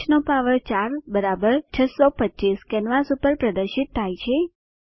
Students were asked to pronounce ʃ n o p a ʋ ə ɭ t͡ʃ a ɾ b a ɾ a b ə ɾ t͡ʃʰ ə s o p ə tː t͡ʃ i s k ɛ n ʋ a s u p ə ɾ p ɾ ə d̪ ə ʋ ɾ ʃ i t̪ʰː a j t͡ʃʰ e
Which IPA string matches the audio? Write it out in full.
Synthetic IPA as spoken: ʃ n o p a ʋ ə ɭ t͡ʃ a ɾ b ə ɾ a b ə ɾ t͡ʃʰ ə s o p ə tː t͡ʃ i s k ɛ n ʋ a s u p ə ɾ p ɾ ə d̪ ə ɾ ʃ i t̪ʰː a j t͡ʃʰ e